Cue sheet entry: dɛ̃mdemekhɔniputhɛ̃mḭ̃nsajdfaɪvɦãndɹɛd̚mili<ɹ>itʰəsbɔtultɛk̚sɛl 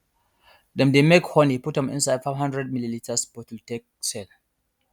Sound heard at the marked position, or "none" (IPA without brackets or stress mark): l